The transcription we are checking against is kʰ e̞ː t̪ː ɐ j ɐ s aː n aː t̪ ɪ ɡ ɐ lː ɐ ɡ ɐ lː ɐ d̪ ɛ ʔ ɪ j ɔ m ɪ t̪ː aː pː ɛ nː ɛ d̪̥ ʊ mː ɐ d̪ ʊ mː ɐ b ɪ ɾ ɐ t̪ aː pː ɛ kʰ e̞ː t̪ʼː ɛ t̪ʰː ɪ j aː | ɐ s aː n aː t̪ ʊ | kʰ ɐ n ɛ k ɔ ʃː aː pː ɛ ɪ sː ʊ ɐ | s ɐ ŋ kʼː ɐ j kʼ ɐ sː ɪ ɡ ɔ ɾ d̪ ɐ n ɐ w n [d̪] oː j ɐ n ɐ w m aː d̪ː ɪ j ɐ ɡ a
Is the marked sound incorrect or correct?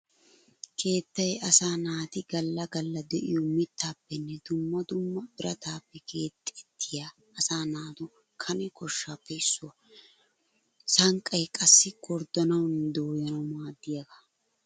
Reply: correct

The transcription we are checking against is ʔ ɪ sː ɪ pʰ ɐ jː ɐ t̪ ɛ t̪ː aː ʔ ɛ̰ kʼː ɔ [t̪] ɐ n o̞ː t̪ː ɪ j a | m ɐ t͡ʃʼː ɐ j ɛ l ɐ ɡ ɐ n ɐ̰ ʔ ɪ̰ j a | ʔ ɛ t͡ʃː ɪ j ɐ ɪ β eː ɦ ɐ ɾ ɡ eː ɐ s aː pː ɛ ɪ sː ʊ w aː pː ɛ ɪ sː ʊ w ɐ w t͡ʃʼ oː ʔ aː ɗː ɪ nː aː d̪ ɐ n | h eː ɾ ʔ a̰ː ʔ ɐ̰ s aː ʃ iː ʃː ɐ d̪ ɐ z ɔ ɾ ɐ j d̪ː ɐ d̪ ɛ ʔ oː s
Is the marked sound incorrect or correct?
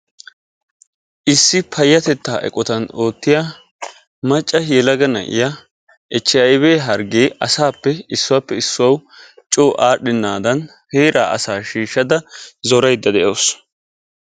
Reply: correct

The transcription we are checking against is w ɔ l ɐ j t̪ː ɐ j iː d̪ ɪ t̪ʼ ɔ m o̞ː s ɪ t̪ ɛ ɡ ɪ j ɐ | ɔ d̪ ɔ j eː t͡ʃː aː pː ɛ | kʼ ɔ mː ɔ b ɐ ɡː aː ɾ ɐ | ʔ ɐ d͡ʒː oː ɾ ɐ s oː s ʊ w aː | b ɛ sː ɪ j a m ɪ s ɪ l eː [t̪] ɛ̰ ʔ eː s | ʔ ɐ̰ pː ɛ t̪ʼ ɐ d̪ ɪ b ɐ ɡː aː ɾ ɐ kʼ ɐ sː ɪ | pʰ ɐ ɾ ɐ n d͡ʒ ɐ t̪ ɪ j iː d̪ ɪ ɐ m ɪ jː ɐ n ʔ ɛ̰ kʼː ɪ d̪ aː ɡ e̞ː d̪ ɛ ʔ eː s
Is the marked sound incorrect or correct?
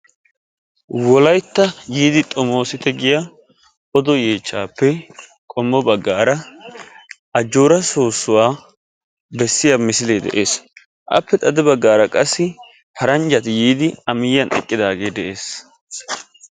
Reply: incorrect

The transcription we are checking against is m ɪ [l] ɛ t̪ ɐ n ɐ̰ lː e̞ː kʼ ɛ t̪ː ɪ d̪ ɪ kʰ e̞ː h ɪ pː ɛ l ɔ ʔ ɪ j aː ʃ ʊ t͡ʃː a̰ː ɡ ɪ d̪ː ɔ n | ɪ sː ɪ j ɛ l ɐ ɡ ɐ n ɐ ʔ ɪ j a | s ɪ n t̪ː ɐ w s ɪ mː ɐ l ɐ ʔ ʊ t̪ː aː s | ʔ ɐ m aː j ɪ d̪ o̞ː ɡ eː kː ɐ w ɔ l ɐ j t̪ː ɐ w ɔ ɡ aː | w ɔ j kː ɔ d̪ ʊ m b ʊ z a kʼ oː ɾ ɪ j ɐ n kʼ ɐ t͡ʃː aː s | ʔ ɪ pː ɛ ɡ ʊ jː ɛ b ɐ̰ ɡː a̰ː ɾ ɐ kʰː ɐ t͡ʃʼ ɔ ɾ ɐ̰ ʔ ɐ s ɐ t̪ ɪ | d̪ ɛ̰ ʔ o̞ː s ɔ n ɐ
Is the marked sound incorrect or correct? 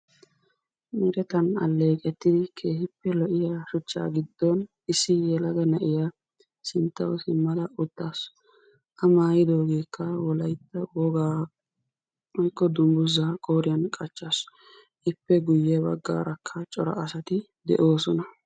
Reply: incorrect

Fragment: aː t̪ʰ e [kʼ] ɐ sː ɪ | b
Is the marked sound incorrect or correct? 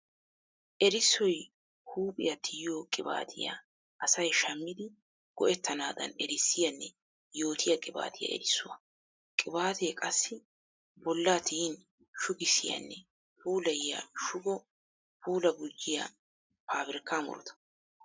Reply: correct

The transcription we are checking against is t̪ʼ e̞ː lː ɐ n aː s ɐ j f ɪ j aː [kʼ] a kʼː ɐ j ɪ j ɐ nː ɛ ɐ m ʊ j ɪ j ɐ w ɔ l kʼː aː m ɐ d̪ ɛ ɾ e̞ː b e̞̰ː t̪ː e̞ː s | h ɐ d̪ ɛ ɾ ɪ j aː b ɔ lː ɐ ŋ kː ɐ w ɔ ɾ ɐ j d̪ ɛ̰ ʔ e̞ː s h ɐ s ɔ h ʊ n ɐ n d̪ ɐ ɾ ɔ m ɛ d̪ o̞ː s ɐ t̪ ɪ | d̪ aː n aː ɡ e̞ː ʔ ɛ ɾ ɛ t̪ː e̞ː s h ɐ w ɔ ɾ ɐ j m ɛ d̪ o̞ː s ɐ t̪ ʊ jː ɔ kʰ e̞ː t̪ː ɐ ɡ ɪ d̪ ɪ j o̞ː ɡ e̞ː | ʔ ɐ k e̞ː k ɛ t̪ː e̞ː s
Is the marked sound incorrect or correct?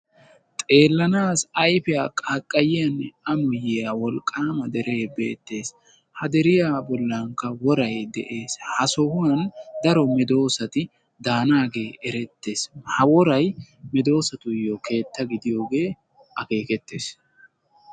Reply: correct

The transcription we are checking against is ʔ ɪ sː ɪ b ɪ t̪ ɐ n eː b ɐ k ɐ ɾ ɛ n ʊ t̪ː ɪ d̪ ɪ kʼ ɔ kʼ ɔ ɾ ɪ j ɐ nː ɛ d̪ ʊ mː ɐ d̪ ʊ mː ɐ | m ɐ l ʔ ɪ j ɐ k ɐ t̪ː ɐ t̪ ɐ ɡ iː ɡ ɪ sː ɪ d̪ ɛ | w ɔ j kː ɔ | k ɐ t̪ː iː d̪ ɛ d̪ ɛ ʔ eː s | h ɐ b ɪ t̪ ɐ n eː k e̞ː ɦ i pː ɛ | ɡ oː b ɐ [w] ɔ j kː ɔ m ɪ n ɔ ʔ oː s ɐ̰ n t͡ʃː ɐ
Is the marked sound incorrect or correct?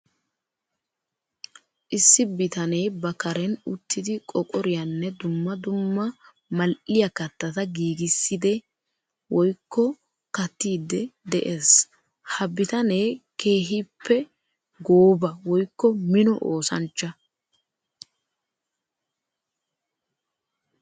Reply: correct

